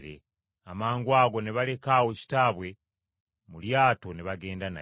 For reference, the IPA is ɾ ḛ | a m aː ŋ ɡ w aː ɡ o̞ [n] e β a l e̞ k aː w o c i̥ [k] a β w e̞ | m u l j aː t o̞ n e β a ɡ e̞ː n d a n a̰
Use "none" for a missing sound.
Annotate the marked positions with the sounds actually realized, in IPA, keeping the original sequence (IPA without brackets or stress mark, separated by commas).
n, t